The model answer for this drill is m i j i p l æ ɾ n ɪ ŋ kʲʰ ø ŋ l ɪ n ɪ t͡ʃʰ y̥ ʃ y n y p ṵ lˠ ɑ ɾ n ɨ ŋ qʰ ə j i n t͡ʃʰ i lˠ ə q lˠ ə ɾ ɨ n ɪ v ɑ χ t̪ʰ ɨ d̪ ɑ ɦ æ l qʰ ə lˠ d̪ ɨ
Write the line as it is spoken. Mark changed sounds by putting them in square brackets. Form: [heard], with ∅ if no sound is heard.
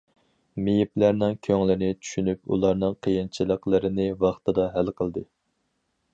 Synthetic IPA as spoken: m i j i p l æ ɾ n ɪ ŋ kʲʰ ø ŋ l ɪ n ɪ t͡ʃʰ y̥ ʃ y n y p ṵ lˠ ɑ ɾ n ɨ ŋ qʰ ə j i n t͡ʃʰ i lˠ ə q lˠ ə ɾ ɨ n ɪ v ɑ χ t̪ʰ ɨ d̪ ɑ ɦ æ l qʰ ə lˠ d̪ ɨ